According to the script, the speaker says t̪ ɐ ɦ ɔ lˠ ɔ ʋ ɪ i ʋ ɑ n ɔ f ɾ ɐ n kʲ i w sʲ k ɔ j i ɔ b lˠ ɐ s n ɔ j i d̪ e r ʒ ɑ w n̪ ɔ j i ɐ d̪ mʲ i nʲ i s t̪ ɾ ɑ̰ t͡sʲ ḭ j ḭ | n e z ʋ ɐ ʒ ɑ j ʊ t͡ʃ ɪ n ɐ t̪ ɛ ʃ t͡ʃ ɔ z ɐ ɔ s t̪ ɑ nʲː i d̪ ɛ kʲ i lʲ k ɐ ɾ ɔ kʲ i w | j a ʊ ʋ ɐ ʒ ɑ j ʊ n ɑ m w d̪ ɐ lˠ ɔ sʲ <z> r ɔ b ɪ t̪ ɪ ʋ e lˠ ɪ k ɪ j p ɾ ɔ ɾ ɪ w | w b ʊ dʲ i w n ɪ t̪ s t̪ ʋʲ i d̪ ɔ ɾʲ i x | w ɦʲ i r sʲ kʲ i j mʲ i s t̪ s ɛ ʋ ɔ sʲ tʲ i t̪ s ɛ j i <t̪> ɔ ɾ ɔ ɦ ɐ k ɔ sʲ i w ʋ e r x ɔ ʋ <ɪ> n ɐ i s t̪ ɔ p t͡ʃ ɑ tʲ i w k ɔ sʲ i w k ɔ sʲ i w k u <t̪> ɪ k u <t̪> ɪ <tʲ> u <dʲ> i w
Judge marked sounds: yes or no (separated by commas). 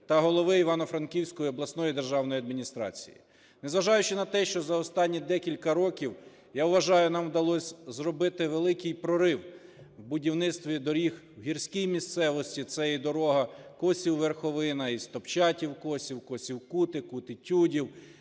yes, no, yes, yes, yes, yes, yes